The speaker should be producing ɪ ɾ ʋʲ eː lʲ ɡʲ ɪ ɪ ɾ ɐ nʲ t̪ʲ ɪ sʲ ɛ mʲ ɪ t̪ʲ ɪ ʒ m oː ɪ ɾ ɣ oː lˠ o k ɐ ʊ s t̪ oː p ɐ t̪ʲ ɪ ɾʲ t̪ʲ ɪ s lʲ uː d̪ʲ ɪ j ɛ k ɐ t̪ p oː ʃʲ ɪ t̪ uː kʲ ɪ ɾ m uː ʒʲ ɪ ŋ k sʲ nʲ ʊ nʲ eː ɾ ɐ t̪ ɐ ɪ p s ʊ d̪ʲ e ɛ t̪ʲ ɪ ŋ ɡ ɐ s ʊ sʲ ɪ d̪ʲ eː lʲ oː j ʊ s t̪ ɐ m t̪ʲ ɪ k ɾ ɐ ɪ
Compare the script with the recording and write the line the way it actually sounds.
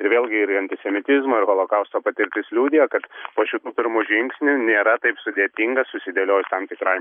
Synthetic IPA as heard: ɪ ɾ ʋʲ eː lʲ ɡʲ ɪ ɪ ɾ ɐ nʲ t̪ʲ ɪ sʲ ɛ mʲ ɪ t̪ʲ ɪ z m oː ɪ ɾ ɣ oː lˠ o k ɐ ʊ s t̪ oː p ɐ t̪ʲ ɪ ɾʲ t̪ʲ ɪ s lʲ uː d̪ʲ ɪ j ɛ k ɐ t̪ p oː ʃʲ ɪ t̪ uː pʲ ɪ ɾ m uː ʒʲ ɪ ŋ k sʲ nʲ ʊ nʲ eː ɾ ɐ t̪ ɐ ɪ p s ʊ d̪ʲ e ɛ t̪ʲ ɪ ŋ ɡ ɐ s ʊ sʲ ɪ d̪ʲ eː lʲ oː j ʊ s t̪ ɐ m t̪ʲ ɪ k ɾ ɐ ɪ